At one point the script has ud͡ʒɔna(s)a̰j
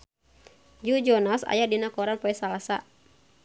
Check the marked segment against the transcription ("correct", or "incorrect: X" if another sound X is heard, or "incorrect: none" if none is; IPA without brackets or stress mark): correct